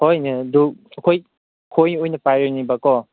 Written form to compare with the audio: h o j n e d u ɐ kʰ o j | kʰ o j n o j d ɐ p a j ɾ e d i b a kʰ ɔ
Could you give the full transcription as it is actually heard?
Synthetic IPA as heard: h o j n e d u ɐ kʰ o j | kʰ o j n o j n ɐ p a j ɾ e n i b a k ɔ